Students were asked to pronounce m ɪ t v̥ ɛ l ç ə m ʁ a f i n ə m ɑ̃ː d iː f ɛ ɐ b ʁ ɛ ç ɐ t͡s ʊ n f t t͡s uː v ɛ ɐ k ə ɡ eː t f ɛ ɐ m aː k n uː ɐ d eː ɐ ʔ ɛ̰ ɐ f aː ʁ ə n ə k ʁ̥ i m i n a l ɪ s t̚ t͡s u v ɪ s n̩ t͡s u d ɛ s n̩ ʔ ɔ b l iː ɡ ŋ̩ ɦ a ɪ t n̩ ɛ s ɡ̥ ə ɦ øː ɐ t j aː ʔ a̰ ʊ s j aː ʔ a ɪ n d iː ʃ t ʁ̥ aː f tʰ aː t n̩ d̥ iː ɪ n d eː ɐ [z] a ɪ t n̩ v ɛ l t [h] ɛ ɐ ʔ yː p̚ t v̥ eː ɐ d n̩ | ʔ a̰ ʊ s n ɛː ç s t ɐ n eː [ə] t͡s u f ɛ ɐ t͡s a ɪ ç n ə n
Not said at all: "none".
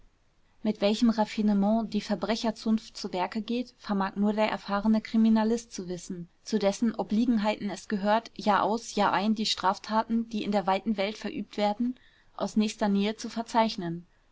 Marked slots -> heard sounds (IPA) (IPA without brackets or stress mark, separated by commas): v, f, ə